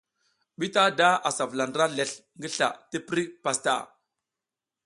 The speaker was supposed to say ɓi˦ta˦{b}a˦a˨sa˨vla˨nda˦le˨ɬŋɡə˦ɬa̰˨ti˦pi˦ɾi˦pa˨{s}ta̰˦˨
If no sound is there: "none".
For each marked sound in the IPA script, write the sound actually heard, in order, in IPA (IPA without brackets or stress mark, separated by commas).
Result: d, s